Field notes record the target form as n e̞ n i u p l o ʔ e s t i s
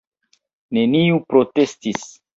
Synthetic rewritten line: n e̞ n i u p ɾ o t e s t i s

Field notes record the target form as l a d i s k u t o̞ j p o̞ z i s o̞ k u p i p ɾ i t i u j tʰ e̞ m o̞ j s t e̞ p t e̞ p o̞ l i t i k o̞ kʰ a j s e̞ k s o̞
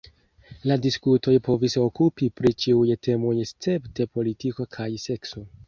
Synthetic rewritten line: l a d i s k u t o̞ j p o̞ v i s o̞ k u p i p ɾ i t͡ʃ i u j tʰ e̞ m o̞ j s t͡s e̞ p t e̞ p o̞ l i t i k o̞ kʰ a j s e̞ k s o̞

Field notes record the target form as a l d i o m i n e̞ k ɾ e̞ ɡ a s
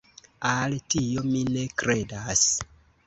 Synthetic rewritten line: a l t i o m i n e̞ k ɾ e̞ d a s

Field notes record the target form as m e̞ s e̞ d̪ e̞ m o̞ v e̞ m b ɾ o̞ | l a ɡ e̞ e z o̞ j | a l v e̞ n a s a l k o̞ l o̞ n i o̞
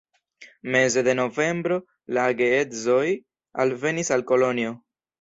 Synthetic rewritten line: m e̞ z e̞ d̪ e̞ n o̞ v e̞ m b ɾ o̞ | l a ɡ e̞ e z o̞ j | a l v e̞ n i s a l k o̞ l o̞ n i o̞

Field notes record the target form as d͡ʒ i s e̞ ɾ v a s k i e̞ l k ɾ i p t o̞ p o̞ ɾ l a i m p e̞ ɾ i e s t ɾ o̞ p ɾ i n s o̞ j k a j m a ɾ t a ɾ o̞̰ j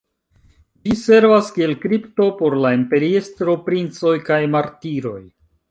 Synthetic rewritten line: d͡ʒ i s e̞ ɾ v a s k i e̞ l k ɾ i p t o̞ p o̞ ɾ l a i m p e̞ ɾ i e s t ɾ o̞ p ɾ i n t͡s o̞ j k a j m a ɾ t i ɾ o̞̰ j

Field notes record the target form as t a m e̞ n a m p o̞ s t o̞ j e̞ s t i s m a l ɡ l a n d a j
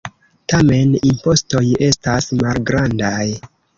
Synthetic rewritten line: t a m e̞ n i m p o̞ s t o̞ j e̞ s t a s m a l ɡ ɾ a n d a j

